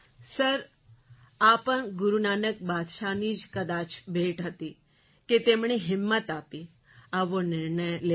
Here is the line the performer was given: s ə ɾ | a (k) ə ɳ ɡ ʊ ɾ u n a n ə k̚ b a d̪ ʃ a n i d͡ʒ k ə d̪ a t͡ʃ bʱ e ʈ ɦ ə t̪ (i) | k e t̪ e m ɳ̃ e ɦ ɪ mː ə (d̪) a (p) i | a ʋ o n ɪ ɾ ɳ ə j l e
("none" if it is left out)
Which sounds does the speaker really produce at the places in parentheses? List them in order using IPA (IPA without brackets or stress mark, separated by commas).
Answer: p, i, t̪, p